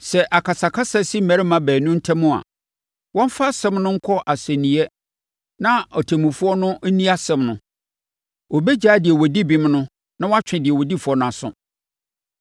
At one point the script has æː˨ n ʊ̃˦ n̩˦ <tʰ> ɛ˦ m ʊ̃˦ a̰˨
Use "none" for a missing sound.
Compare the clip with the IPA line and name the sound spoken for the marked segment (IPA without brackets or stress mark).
tʰ